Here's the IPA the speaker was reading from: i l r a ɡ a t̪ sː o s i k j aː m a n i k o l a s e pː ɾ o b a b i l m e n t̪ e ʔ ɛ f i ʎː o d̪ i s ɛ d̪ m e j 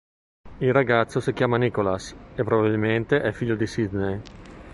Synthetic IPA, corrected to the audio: i l r a ɡ a t̪ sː o s i k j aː m a n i k o l a s e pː ɾ o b a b i l m e n t̪ e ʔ ɛ f i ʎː o d̪ i s i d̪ n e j